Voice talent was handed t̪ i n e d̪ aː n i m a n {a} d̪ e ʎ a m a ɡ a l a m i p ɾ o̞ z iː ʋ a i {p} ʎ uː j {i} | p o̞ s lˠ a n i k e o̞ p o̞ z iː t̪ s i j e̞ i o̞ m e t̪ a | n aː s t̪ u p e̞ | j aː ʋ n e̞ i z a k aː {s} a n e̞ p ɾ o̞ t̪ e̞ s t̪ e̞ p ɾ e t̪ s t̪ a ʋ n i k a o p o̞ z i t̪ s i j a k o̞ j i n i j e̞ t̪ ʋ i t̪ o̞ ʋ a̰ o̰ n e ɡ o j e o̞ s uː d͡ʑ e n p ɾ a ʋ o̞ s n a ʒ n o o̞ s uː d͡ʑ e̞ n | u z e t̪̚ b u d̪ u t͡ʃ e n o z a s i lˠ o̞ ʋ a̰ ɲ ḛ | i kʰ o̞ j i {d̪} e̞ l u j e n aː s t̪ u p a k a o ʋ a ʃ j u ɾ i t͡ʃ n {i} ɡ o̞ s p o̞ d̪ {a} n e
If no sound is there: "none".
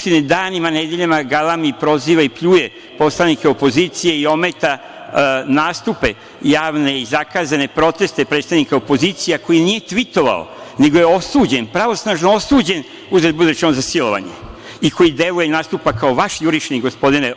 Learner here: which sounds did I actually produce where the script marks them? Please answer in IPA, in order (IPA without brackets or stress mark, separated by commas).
e, p, e, z, d̪, i, i